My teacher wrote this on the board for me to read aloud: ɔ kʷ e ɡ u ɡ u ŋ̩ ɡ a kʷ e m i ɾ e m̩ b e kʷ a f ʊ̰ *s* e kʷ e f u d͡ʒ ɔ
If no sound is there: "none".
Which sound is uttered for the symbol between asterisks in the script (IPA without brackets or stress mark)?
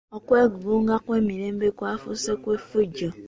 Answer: s